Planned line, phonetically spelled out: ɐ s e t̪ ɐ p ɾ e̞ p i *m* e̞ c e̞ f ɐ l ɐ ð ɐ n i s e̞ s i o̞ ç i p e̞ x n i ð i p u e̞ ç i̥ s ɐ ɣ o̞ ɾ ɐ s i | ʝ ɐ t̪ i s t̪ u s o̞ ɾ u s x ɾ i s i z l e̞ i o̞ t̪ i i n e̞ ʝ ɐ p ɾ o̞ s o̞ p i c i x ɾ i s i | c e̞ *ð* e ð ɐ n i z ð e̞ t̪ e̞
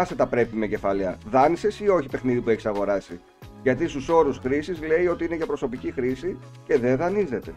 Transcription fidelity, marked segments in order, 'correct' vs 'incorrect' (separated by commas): correct, correct